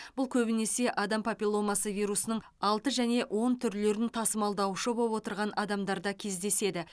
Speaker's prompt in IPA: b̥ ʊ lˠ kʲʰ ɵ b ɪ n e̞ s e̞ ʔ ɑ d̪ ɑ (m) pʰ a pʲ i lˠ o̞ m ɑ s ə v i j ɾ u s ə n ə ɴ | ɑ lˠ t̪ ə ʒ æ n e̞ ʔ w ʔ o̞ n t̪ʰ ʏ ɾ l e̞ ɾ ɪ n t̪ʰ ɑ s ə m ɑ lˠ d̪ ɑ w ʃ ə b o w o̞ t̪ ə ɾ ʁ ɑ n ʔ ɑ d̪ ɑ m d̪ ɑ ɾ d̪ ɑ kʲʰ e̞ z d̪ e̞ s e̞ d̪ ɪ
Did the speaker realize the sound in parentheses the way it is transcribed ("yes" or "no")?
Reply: yes